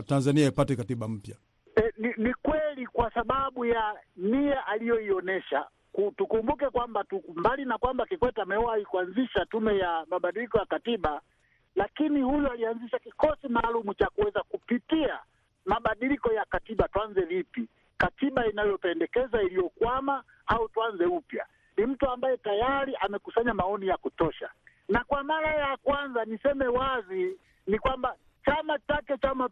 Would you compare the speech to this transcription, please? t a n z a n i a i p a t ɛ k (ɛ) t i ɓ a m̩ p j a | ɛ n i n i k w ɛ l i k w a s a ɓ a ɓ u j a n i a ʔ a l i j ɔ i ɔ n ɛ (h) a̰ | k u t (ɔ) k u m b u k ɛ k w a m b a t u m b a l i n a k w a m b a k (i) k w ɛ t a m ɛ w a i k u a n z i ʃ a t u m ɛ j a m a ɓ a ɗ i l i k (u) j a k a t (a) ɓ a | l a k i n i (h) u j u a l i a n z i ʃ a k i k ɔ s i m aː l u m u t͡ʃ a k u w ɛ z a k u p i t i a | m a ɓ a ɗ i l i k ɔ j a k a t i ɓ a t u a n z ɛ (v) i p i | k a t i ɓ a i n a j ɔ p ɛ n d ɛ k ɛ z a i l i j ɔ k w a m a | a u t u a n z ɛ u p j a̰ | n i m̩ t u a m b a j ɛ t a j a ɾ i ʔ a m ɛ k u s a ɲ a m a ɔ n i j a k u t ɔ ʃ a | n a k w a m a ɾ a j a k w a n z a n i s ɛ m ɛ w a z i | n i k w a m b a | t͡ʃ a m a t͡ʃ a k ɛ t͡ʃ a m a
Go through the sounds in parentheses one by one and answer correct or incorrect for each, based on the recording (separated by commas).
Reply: incorrect, incorrect, incorrect, correct, incorrect, incorrect, correct, correct